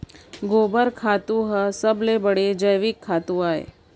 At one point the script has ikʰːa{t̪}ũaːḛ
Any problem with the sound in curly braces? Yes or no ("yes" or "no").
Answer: no